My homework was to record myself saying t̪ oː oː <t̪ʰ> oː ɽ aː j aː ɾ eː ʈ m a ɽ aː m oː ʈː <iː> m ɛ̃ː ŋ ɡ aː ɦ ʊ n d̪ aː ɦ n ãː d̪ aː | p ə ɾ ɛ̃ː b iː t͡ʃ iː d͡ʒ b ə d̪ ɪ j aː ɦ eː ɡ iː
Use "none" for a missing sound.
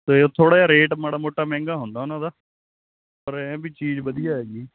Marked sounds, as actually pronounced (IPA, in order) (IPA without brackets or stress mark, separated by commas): t̪ʰ, aː